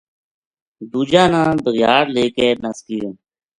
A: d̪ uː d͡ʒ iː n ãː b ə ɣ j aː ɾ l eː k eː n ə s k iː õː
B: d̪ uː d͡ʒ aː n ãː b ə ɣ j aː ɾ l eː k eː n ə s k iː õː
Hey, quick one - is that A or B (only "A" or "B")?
B